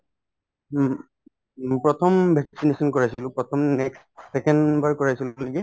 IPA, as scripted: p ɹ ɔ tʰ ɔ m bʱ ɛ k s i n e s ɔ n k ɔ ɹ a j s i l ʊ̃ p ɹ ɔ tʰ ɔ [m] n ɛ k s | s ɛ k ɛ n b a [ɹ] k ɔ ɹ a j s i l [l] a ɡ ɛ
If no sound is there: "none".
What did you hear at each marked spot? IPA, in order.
m, ɹ, l

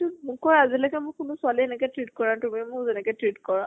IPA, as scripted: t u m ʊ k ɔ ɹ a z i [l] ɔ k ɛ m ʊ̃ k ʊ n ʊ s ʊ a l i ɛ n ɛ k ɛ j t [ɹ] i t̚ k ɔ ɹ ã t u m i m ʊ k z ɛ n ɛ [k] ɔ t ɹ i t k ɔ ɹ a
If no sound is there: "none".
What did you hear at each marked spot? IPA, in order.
l, ɹ, k

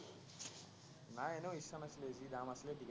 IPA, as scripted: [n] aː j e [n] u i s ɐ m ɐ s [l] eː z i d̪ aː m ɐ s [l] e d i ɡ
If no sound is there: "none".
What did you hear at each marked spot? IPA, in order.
n, n, l, l

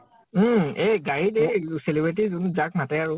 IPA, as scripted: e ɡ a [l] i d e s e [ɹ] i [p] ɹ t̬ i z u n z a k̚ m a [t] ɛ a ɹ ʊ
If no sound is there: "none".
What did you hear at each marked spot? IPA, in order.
ɹ, l, b, t

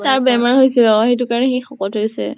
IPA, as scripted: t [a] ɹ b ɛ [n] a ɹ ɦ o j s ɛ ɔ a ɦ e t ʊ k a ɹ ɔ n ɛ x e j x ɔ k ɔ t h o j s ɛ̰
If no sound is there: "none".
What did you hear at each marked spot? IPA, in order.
a, m

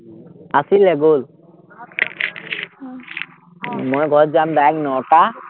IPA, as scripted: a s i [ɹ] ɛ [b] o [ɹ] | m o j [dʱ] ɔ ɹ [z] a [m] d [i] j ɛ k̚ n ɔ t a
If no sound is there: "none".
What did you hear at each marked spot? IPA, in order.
l, ɡ, l, ɡʱ, z, m, a

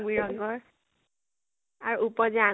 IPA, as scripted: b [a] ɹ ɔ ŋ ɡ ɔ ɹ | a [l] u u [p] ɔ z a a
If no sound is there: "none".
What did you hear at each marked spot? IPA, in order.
i, ɹ, p

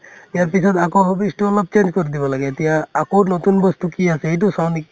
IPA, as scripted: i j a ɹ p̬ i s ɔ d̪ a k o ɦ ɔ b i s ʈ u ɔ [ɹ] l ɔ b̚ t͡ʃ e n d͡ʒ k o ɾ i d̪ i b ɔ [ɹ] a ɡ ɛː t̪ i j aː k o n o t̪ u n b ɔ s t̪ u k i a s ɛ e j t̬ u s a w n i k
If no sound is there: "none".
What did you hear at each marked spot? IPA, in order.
none, l

